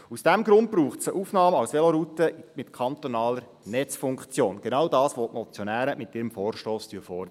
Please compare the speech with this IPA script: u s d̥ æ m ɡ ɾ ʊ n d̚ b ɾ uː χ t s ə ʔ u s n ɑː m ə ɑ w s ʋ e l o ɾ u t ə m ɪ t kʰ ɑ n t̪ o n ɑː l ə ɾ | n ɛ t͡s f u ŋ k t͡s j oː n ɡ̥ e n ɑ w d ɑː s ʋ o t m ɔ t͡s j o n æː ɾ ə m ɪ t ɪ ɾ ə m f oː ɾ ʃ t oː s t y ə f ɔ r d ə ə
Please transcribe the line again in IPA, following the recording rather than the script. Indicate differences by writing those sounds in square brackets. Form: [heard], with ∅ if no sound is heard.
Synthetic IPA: u s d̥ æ m ɡ ɾ ʊ n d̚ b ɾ uː χ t s ə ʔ u [f] n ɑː m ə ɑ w s ʋ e l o ɾ u t ə m ɪ t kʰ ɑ n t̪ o n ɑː l ə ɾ | n ɛ t͡s f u ŋ k t͡s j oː n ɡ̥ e n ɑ w d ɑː s ʋ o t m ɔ t͡s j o n æː ɾ ə m ɪ t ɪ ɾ ə m f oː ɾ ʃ t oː s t y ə f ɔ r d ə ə